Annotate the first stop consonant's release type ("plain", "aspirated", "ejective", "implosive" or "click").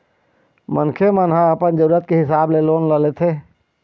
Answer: aspirated